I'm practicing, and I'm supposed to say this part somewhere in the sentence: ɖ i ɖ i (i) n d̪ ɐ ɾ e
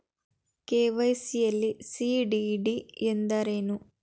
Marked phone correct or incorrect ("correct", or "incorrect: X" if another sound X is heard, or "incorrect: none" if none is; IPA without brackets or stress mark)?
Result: incorrect: e